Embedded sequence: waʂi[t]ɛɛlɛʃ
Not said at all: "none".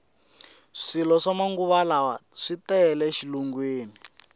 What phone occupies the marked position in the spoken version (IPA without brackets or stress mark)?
t